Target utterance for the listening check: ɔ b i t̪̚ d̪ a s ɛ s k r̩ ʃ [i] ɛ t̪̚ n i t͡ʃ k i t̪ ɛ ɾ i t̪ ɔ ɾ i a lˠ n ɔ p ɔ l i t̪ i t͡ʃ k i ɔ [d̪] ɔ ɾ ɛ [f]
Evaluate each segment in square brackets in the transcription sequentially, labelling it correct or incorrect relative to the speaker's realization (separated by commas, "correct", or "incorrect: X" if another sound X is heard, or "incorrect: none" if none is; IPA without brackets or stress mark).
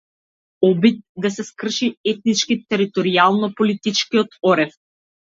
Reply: correct, incorrect: t̪, correct